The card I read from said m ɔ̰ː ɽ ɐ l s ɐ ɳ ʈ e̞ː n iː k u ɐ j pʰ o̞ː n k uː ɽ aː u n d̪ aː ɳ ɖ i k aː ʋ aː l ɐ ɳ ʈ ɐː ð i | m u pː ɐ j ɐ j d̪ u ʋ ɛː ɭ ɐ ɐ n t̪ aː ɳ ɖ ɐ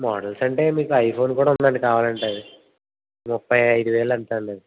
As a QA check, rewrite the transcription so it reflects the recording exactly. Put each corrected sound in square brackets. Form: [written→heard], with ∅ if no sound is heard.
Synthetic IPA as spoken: m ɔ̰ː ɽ ɐ l s ɐ ɳ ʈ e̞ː [n→m] iː k u ɐ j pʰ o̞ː n k uː ɽ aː u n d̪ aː ɳ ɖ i k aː ʋ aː l ɐ ɳ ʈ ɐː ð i | m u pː ɐ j ɐ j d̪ u ʋ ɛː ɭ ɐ ɐ n t̪ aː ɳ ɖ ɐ

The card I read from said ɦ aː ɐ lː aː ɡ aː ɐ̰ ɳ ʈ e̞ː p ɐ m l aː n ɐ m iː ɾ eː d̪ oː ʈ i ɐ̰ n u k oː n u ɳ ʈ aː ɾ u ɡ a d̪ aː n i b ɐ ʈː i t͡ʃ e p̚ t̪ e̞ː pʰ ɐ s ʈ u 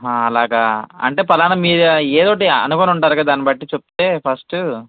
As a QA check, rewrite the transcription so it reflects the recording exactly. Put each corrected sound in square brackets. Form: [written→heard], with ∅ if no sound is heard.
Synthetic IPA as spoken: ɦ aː ɐ [lː→l] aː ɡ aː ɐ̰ ɳ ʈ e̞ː p ɐ [m→∅] l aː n ɐ m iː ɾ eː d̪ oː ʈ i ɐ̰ n u k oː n u ɳ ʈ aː ɾ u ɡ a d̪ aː n i b ɐ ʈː i t͡ʃ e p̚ t̪ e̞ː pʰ ɐ s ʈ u

